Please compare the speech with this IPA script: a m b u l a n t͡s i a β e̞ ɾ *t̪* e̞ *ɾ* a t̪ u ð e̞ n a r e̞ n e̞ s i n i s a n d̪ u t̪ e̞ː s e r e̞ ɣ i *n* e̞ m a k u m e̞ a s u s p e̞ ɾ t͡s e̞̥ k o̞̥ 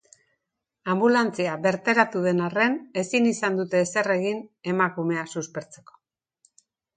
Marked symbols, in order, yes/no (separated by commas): yes, yes, yes